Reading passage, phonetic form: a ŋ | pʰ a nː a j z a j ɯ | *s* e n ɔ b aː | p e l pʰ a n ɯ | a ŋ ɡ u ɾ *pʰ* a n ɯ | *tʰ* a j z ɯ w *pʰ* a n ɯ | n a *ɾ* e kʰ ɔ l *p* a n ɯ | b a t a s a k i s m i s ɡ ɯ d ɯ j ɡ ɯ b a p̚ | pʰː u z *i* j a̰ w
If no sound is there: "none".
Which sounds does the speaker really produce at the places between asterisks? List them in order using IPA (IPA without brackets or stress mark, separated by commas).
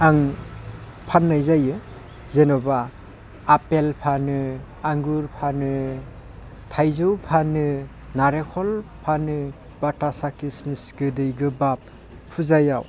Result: z, pʰ, tʰ, pʰ, ɾ, pʰ, a